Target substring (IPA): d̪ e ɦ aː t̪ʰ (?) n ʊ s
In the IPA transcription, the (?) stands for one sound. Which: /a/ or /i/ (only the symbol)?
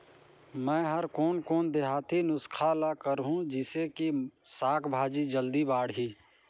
i